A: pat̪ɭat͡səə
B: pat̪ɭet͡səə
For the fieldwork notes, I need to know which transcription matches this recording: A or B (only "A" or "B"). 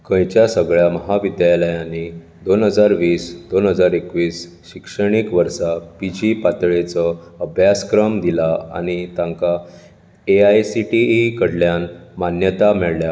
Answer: B